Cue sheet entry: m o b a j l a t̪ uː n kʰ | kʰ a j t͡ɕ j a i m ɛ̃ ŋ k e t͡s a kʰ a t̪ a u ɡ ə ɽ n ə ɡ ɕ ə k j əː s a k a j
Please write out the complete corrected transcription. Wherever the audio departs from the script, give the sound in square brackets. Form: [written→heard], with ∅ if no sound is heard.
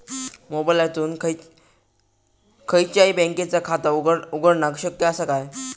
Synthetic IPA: m o b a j l a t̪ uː n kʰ | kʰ [a→ə] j t͡ɕ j a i [m→b] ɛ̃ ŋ k e t͡s a kʰ a t̪ a u ɡ ə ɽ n [ə→a] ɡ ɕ ə k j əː s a k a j